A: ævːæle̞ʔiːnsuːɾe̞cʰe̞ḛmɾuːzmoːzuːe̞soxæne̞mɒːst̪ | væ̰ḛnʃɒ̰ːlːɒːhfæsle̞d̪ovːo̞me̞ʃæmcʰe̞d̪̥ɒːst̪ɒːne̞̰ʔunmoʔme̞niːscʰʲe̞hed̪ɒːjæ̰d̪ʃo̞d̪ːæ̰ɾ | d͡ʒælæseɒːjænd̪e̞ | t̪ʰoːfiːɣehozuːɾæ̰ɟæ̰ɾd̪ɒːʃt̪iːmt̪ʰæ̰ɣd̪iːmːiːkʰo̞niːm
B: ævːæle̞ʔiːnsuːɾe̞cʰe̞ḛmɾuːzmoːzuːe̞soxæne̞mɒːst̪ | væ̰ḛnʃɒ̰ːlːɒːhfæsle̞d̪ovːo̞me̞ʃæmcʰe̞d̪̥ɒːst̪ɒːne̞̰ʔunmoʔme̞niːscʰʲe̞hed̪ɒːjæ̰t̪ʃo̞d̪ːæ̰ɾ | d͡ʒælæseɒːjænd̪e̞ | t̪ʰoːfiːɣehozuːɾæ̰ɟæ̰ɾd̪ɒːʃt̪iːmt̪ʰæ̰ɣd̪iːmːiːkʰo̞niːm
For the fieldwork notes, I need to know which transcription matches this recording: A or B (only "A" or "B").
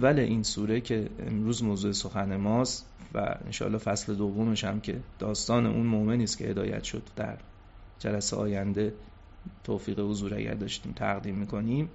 B